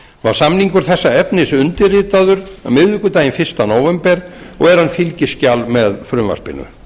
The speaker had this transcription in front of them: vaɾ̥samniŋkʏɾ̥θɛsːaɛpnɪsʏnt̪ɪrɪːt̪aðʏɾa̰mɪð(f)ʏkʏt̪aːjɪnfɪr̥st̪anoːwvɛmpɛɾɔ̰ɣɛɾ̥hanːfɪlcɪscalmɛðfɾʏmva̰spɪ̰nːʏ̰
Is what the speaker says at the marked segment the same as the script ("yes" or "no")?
no